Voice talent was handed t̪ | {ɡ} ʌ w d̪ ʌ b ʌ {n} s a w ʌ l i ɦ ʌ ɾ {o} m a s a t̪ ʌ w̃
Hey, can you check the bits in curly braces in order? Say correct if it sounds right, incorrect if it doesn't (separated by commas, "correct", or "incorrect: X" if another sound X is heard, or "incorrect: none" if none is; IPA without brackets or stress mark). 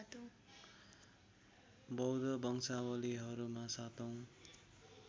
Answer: incorrect: b, incorrect: ŋ, incorrect: u